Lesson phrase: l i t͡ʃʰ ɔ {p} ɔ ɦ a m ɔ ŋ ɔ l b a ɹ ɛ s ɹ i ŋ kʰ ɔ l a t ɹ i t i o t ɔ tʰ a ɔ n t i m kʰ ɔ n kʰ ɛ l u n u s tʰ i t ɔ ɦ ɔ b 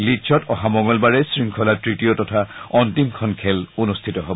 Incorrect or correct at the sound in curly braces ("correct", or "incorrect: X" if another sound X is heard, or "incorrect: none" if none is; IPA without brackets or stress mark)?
incorrect: t